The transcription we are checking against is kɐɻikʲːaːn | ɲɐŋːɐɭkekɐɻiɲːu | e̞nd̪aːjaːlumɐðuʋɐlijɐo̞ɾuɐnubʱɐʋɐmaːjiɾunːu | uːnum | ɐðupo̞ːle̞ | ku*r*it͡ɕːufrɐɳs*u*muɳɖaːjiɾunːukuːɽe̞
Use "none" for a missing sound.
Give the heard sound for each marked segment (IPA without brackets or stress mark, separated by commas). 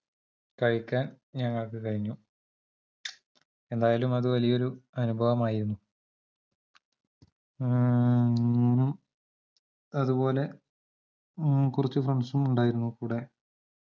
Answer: r, u